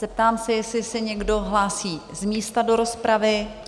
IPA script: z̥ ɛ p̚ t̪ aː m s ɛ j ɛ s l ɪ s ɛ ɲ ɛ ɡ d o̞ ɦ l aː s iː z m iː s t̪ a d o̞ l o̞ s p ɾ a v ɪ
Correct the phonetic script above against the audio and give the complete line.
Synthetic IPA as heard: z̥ ɛ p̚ t̪ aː m s ɛ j ɛ s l ɪ s ɛ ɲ ɛ ɡ d o̞ ɦ l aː s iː z m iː s t̪ a d o̞ ɾ o̞ s p ɾ a v ɪ